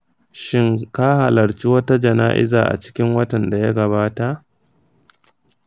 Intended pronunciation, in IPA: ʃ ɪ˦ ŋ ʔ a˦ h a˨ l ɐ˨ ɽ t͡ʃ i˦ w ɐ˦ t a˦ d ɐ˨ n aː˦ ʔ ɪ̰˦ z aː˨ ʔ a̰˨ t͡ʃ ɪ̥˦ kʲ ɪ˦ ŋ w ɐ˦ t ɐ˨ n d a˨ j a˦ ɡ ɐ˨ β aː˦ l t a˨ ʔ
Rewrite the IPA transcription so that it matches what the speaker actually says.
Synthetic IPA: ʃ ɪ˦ ŋ k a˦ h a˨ l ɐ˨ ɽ t͡ʃ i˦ w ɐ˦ t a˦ d͡ʒ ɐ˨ n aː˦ ʔ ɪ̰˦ z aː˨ ʔ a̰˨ t͡ʃ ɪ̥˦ kʲ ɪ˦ ŋ w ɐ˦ t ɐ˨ n d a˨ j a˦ ɡ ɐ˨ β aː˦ t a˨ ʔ